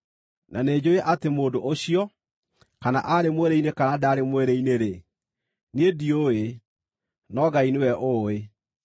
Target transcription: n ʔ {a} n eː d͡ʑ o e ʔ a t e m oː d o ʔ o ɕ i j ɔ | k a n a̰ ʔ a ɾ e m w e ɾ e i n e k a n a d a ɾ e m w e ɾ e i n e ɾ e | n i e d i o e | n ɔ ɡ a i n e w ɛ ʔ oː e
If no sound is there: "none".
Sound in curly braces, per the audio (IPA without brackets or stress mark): a